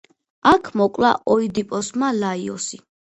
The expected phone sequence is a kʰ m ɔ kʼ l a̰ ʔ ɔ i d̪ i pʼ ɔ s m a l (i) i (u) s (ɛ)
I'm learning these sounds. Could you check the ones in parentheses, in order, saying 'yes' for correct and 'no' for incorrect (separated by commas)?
no, no, no